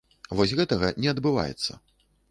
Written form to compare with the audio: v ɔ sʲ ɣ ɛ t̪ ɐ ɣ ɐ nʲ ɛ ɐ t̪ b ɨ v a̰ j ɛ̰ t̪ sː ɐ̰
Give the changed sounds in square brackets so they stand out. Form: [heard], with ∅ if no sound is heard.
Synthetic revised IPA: v ɔ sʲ ɣ ɛ t̪ ɐ ɣ ɐ nʲ ɛ ɐ [d̪] b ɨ v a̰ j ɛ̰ t̪ sː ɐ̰